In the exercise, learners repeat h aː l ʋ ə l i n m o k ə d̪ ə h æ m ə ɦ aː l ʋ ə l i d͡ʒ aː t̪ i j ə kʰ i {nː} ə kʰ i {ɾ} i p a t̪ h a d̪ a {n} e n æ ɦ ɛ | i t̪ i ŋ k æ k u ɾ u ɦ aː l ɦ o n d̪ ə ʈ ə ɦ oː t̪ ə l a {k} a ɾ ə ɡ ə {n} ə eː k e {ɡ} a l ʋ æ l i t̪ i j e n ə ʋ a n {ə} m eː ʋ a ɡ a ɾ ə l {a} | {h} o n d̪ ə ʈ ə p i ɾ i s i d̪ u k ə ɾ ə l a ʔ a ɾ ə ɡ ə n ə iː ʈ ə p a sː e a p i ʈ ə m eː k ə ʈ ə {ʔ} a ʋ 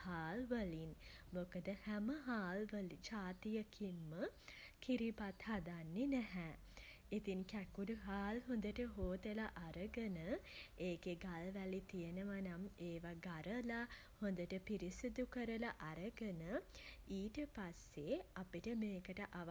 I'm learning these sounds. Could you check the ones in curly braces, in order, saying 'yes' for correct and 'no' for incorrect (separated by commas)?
no, yes, no, no, yes, yes, no, yes, yes, yes